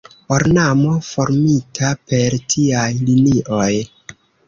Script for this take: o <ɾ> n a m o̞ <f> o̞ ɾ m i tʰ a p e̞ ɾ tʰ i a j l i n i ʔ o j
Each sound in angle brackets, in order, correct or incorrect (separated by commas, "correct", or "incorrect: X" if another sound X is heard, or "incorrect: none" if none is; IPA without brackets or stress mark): correct, correct